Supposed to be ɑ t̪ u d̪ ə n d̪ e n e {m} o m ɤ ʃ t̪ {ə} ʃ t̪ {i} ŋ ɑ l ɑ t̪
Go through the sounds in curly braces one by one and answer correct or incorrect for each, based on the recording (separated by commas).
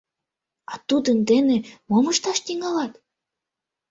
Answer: correct, incorrect, correct